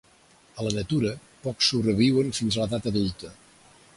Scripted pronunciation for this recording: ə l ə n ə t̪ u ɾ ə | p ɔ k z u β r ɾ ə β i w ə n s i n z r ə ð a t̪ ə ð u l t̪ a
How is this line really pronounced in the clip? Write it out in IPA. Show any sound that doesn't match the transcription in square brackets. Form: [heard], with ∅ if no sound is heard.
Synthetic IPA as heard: ə l ə n ə t̪ u ɾ ə | p ɔ k [s] u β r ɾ ə β i w ə n [f] i n z [l] ə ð a t̪ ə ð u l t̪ [ə]